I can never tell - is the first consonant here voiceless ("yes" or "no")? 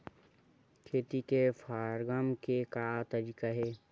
yes